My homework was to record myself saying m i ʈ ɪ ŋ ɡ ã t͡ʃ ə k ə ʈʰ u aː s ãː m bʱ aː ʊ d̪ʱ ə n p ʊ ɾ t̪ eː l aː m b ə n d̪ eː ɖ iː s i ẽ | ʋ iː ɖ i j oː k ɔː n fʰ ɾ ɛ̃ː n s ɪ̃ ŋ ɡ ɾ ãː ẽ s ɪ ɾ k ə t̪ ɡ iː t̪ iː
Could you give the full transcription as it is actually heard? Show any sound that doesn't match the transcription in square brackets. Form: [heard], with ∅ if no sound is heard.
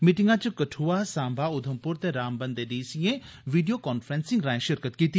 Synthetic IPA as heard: m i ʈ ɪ ŋ ɡ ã t͡ʃ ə k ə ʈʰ u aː s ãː m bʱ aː ʊ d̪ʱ ə [m] p ʊ ɾ t̪ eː [ɾ] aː m b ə n d̪ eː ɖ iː s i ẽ | ʋ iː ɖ i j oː k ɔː n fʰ ɾ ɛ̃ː n s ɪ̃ ŋ ɡ ɾ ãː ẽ [ʃ] ɪ ɾ k ə t̪ [k] iː t̪ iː